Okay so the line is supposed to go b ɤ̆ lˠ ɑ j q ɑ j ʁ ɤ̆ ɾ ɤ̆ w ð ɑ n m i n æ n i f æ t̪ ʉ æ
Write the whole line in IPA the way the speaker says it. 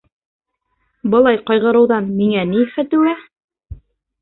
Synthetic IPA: b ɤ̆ lˠ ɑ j q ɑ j ʁ ɤ̆ ɾ ɤ̆ w ð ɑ n m i ŋ æ n i f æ t̪ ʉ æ